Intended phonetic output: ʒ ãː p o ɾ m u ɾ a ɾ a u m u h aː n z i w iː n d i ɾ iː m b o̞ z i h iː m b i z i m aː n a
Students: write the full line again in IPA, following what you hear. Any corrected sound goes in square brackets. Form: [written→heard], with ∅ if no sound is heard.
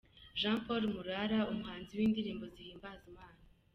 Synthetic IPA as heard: ʒ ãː p o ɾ m u ɾ a ɾ a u m u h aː n z i w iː n d i ɾ iː m b o̞ z i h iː m b [i→a] z i m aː n a